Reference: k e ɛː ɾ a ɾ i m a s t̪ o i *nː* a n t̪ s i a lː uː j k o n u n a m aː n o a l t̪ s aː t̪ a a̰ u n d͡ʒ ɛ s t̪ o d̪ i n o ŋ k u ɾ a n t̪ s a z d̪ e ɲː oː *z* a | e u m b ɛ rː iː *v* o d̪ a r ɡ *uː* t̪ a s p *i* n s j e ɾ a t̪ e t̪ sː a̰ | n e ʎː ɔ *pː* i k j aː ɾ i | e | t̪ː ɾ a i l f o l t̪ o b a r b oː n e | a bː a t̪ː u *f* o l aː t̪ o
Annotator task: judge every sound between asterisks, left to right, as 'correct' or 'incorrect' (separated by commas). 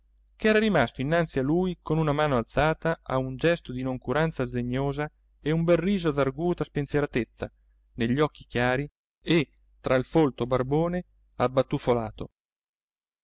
correct, correct, incorrect, correct, incorrect, incorrect, correct